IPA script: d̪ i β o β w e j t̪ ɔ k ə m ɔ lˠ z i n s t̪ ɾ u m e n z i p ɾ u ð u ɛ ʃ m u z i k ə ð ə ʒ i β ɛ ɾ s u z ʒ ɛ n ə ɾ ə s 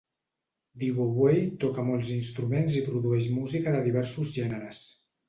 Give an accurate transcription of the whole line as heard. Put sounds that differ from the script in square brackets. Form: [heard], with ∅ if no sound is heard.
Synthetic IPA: d̪ i β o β w e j t̪ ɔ k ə m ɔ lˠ z i n s t̪ ɾ u m e n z i p ɾ u ð u ɛ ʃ m u z i k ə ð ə [ð] i β ɛ ɾ s u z ʒ ɛ n ə ɾ ə s